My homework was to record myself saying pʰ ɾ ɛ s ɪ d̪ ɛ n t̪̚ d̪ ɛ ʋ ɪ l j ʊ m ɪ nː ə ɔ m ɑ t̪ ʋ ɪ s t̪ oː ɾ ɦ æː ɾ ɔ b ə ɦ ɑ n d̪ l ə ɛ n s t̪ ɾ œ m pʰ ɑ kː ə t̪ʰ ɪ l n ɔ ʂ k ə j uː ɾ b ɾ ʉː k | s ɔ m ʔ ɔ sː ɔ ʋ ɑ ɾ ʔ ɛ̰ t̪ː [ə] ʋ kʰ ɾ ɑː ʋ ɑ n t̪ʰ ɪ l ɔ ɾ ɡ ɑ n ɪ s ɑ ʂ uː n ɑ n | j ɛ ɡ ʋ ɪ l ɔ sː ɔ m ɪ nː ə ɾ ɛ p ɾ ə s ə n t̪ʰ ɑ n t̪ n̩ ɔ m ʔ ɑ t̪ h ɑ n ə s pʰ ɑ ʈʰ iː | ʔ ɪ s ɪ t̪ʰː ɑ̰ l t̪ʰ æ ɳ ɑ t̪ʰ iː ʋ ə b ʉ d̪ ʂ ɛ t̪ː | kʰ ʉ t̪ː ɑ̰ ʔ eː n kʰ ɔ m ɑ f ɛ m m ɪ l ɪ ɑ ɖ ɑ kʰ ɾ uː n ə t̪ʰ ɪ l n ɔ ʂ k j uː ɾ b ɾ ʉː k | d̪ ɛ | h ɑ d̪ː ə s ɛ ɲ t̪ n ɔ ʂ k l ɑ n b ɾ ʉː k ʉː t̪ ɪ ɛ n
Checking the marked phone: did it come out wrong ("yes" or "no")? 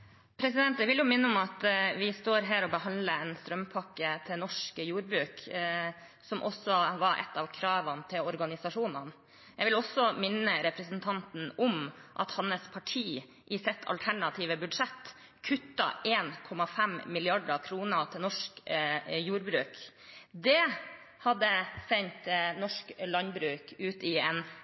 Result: yes